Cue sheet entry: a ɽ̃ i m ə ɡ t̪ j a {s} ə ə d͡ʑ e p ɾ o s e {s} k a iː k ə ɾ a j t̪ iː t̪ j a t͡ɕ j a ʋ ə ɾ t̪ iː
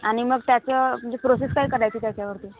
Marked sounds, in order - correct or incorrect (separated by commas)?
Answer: incorrect, correct